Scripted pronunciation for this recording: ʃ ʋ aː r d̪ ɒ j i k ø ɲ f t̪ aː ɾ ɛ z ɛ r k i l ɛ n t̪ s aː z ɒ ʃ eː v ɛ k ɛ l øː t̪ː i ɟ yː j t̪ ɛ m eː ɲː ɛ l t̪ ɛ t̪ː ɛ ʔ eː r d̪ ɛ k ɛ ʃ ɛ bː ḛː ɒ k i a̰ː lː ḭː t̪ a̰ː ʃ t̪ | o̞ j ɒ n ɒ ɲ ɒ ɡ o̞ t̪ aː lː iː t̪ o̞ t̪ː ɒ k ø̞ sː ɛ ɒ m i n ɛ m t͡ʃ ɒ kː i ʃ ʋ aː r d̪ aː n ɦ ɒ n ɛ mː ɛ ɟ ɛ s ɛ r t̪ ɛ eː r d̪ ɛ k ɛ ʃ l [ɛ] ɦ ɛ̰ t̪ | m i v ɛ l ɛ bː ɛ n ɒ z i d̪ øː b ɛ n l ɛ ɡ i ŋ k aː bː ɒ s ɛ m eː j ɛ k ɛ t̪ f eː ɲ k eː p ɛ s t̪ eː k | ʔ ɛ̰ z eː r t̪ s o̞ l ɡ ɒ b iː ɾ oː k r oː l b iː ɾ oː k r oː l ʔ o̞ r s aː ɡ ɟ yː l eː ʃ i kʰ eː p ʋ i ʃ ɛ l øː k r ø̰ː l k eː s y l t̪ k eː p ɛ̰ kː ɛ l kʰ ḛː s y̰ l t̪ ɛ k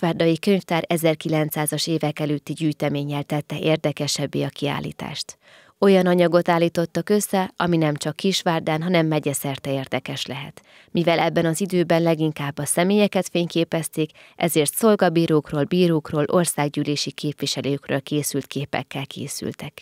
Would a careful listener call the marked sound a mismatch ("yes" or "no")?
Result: no